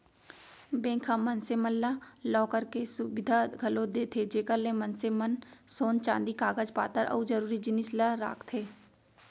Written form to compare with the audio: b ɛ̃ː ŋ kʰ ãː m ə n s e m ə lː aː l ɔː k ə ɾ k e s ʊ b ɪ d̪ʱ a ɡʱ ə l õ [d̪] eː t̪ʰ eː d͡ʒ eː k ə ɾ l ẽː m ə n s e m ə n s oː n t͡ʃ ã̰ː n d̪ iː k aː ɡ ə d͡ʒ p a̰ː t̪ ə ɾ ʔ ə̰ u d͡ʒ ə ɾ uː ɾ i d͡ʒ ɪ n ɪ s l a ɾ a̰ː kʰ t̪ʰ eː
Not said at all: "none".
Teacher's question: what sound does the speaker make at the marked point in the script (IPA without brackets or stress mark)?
d̪